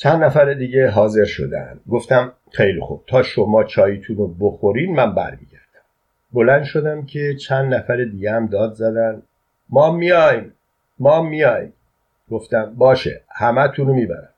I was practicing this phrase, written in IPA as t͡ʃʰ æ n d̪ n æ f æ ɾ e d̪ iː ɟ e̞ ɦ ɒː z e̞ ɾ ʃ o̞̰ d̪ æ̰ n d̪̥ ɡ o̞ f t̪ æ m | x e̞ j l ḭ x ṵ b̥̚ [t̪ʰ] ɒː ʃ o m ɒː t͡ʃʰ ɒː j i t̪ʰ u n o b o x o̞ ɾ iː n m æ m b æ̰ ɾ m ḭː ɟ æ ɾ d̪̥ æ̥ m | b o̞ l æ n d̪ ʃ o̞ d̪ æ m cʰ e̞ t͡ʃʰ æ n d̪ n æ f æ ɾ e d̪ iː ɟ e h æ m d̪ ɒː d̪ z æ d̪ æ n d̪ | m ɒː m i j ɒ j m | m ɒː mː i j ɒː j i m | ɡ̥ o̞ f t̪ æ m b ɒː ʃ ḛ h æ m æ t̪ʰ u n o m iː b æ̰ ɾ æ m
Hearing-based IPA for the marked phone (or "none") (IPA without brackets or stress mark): t̪ʰ